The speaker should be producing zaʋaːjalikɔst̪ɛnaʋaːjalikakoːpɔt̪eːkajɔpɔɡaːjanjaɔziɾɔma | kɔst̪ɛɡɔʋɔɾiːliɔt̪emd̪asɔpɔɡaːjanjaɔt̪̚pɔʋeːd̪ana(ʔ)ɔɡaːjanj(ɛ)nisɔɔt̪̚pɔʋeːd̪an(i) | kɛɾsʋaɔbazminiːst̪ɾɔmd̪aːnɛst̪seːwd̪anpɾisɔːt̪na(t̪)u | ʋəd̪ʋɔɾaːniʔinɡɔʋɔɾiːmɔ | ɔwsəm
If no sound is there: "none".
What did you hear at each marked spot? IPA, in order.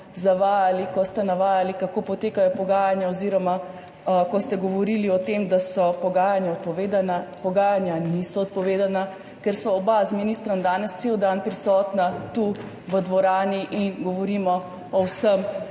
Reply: p, a, a, t̪

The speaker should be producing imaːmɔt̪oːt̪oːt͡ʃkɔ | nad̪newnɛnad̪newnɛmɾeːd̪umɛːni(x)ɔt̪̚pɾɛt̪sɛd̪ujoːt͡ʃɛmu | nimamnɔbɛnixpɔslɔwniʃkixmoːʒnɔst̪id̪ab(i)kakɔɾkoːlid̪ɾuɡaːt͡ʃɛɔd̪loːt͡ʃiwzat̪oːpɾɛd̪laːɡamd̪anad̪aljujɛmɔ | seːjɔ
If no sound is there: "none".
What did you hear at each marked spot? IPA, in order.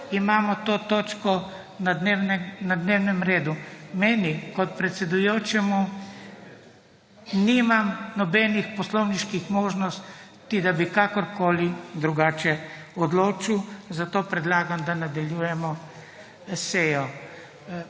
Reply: k, i

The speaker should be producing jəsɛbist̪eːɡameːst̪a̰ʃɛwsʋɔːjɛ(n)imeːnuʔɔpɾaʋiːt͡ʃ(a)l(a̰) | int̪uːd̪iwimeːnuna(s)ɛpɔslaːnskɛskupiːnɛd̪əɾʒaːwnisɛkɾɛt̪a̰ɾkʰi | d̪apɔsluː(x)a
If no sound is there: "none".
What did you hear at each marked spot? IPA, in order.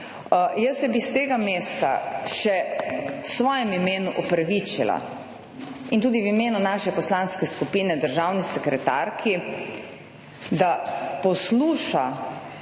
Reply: m, i, a̰, ʃ, ʃ

